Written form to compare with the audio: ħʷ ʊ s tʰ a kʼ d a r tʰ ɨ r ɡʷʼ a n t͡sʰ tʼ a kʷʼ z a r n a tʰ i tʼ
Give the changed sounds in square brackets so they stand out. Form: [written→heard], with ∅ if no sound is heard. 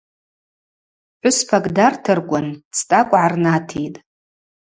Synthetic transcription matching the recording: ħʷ ʊ s [tʰ→pʰ] a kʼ d a r tʰ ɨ r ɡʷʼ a n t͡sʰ tʼ a kʷʼ [z→ʕ] a r n a tʰ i tʼ